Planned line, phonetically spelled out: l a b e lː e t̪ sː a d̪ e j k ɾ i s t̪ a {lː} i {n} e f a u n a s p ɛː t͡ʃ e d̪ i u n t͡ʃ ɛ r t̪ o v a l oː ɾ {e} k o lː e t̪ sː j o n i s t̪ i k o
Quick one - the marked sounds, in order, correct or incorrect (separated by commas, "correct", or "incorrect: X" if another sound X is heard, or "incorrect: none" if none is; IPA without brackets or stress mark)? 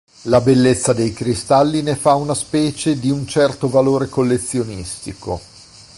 correct, correct, correct